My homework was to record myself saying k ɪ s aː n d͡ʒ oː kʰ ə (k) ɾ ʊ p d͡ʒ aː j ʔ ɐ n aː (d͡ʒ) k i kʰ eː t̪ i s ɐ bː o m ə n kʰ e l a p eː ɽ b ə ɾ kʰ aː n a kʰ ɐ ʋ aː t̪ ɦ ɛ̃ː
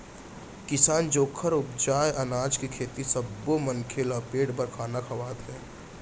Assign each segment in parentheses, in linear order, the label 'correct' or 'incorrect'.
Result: incorrect: none, correct

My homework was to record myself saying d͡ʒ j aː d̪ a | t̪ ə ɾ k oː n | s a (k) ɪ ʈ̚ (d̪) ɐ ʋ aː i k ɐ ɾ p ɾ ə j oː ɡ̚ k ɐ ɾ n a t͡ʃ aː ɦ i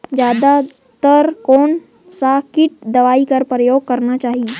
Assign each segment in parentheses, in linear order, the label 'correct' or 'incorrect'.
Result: correct, correct

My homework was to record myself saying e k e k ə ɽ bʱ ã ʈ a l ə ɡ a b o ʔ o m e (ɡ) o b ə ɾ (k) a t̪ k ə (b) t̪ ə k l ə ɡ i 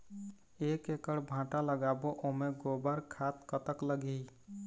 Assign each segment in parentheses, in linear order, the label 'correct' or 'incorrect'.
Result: correct, incorrect: kʰ, incorrect: none

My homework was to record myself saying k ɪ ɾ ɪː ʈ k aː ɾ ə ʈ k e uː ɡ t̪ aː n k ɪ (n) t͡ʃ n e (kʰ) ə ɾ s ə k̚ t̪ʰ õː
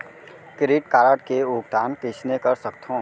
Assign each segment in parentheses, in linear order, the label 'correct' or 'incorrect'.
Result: incorrect: none, incorrect: k

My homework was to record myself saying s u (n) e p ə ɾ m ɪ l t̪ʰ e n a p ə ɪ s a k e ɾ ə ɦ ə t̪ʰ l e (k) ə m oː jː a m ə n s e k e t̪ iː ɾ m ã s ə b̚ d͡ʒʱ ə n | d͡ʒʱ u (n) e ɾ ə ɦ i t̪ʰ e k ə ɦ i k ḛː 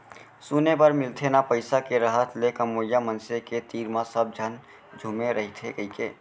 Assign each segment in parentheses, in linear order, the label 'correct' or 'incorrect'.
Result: correct, correct, incorrect: m

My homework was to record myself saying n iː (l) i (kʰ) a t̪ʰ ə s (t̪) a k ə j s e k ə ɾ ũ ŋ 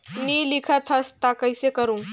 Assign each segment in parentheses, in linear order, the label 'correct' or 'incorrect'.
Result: correct, correct, correct

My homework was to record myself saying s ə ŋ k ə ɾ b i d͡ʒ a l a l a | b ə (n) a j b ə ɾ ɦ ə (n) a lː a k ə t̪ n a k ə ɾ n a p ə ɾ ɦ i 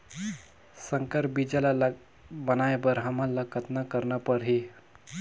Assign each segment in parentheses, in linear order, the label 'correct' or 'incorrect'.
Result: correct, incorrect: m

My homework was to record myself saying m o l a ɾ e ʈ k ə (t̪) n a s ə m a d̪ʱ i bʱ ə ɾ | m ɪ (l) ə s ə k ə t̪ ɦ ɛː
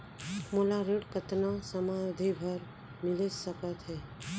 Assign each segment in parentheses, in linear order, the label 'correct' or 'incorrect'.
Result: correct, correct

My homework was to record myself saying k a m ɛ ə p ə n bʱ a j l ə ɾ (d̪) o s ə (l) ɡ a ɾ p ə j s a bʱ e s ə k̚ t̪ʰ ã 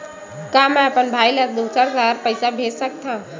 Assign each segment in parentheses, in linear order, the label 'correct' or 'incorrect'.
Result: correct, incorrect: ɾ

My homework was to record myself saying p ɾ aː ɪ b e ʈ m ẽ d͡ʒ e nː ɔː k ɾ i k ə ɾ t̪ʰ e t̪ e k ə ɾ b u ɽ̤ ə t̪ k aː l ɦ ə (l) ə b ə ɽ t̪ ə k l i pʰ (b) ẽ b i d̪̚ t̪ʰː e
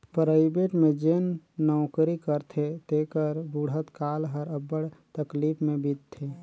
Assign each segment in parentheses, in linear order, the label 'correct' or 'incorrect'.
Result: incorrect: ɾ, incorrect: m

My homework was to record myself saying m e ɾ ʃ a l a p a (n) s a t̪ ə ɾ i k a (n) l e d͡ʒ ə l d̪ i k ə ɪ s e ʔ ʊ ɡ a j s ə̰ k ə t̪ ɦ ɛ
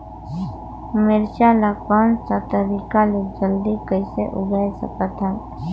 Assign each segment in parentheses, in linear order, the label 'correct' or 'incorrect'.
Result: correct, incorrect: none

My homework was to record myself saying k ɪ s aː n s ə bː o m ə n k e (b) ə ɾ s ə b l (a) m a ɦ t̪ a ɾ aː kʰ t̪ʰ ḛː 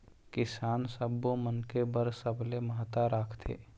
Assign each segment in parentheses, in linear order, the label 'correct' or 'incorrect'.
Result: correct, incorrect: e

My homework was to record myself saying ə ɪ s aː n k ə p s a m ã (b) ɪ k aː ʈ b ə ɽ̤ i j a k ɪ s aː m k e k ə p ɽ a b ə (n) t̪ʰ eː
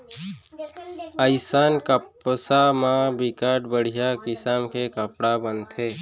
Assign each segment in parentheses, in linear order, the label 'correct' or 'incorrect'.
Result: correct, correct

